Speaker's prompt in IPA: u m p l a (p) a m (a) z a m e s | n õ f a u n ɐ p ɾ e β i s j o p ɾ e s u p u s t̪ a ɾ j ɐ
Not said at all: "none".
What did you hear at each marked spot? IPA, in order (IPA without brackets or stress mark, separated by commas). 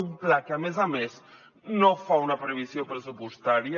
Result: k, e